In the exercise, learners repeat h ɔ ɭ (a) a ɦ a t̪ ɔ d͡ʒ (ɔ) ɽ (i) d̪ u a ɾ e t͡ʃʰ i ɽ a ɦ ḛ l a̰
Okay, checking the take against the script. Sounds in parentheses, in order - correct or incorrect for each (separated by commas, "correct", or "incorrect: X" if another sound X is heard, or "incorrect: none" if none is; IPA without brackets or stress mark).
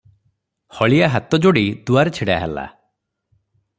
incorrect: i, incorrect: o, correct